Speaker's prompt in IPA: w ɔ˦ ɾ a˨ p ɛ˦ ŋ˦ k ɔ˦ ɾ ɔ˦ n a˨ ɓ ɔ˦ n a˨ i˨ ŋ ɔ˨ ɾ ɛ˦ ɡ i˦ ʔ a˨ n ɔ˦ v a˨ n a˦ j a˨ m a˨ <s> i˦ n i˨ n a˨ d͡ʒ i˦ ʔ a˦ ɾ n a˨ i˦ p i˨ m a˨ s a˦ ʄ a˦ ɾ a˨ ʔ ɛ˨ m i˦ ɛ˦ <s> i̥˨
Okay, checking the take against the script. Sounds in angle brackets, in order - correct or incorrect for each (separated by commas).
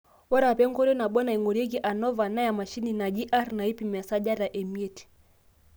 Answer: incorrect, incorrect